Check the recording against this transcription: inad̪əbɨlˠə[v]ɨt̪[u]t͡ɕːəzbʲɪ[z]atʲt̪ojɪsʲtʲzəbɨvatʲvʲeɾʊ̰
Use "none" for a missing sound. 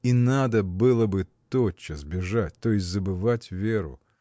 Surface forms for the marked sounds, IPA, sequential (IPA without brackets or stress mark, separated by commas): b, o, ʐ